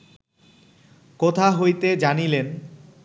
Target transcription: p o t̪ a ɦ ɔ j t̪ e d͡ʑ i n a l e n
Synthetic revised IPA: k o t̪ʰ a ɦ o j t̪ e d͡ʑ a n i l e n